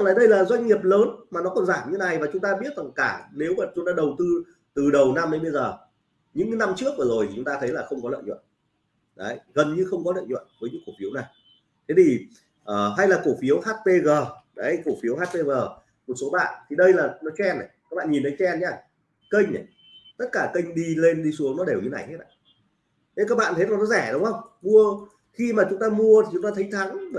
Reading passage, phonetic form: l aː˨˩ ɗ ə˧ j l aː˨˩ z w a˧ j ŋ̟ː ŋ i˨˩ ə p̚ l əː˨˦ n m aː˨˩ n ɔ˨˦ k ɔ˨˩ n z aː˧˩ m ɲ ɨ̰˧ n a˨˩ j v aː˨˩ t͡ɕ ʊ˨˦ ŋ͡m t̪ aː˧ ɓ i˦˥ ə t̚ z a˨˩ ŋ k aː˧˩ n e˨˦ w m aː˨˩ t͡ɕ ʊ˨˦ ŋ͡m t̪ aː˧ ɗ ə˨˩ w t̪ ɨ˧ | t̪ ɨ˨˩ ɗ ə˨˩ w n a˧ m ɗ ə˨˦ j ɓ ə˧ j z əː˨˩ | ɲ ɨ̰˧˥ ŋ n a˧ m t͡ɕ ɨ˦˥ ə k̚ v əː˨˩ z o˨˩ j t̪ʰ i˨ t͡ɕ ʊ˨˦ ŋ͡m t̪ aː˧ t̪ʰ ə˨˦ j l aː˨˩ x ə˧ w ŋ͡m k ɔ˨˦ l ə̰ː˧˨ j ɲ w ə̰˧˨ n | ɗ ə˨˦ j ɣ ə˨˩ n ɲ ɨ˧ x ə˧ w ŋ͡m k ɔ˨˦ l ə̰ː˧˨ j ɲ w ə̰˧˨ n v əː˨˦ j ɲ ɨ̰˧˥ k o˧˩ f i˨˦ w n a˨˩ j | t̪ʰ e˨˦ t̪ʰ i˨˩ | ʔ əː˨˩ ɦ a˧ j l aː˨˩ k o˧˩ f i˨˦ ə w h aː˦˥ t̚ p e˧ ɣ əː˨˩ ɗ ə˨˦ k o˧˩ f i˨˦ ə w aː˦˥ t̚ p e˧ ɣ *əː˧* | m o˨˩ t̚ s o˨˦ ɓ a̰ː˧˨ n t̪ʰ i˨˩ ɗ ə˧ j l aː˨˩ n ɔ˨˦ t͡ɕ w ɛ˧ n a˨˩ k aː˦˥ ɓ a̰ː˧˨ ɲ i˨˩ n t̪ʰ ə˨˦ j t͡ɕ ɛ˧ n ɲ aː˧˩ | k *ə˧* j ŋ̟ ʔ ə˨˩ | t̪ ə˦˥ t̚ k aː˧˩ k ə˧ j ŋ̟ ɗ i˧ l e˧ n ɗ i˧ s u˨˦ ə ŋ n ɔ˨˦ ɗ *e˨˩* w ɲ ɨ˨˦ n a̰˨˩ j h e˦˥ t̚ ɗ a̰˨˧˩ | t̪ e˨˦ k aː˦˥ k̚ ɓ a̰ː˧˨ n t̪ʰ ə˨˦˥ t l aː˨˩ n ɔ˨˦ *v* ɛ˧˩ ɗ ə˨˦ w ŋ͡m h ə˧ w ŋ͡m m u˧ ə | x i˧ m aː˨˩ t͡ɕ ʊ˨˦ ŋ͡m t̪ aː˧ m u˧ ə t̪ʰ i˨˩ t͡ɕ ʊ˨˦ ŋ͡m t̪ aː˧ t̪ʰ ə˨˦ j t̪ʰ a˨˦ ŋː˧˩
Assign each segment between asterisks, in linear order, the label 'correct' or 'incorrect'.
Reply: incorrect: əː˨˩, correct, correct, incorrect: z

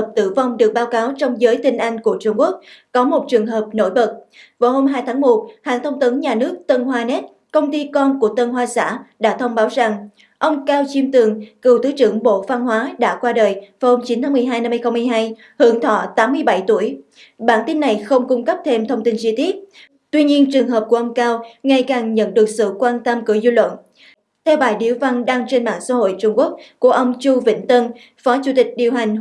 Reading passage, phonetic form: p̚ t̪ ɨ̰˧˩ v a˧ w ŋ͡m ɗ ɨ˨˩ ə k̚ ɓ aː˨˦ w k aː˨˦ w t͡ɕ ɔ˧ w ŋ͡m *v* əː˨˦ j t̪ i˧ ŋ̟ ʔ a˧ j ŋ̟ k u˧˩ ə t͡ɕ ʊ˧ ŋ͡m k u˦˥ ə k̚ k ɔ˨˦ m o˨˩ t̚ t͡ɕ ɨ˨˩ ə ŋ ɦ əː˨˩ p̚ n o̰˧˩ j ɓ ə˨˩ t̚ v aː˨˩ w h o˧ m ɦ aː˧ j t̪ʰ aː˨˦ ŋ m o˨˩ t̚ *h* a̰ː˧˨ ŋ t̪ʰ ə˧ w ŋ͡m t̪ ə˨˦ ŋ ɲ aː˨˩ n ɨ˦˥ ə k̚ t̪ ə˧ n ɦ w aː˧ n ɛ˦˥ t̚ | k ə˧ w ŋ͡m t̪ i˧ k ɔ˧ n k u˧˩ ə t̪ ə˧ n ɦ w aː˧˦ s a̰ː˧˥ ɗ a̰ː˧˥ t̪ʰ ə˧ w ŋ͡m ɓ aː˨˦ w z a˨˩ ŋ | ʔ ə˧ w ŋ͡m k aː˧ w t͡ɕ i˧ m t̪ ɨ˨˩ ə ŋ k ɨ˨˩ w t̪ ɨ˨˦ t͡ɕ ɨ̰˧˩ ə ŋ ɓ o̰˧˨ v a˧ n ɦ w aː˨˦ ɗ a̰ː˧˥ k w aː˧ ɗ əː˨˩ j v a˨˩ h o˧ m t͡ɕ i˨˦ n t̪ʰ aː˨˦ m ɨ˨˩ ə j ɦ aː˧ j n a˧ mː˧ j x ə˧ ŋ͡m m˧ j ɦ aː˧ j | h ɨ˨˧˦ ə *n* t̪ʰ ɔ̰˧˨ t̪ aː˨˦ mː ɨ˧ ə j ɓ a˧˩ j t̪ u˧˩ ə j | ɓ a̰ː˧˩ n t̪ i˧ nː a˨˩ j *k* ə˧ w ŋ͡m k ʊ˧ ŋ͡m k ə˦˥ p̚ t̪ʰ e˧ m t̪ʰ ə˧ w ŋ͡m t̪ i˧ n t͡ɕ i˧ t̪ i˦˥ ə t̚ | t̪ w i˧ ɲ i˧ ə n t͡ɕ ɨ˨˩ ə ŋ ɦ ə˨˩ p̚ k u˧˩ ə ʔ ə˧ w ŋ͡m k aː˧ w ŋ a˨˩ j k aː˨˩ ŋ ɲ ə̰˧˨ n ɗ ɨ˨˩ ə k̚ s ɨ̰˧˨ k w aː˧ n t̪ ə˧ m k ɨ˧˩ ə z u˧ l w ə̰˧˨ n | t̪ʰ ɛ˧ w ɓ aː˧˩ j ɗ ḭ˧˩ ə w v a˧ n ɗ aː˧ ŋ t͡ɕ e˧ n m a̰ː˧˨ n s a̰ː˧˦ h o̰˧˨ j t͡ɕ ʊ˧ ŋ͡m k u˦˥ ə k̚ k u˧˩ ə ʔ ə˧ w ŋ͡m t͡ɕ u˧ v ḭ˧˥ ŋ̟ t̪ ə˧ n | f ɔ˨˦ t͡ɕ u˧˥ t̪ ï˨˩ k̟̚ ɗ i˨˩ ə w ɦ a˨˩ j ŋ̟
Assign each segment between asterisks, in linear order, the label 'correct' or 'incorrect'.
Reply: incorrect: z, correct, incorrect: ŋ, incorrect: x

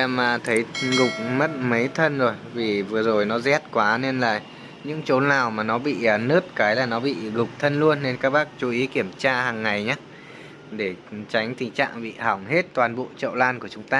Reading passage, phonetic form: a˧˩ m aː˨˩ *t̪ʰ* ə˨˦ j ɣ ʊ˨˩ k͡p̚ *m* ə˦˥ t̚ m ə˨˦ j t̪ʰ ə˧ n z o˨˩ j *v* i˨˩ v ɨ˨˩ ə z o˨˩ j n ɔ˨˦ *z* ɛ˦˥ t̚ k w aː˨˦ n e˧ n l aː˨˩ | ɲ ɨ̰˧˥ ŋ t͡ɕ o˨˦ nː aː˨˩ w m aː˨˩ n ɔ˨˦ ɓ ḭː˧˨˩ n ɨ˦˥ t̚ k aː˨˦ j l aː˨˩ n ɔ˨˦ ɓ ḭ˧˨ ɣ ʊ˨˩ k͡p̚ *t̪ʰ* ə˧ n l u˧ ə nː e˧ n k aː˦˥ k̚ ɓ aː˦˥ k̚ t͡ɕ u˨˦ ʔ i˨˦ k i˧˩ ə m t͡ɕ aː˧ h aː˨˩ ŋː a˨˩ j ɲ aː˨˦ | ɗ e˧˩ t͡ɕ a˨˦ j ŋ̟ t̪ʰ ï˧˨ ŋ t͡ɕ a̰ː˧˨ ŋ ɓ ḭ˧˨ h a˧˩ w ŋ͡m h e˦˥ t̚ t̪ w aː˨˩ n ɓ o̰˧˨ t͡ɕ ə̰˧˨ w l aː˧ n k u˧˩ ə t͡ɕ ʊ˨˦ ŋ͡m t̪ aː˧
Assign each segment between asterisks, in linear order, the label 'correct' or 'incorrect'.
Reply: correct, correct, correct, correct, correct

